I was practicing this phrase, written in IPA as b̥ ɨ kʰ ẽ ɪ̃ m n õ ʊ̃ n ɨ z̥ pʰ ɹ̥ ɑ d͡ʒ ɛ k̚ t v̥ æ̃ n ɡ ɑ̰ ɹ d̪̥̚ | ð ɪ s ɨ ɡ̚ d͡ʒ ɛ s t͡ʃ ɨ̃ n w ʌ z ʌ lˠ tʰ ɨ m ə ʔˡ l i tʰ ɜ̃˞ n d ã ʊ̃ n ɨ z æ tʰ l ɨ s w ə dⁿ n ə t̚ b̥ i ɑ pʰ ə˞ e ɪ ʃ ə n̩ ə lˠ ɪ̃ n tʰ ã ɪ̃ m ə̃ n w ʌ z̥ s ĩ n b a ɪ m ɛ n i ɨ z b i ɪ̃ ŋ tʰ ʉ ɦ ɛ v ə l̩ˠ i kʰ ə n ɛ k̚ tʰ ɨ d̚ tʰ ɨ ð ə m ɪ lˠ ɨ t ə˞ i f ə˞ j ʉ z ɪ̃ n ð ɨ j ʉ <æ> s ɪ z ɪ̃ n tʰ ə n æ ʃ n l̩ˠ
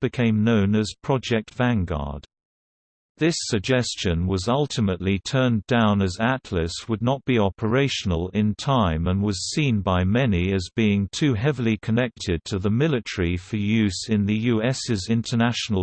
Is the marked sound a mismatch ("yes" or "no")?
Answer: yes